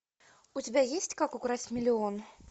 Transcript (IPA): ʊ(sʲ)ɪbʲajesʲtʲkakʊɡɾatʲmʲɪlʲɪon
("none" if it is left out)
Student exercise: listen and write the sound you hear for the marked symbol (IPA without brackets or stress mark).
tʲ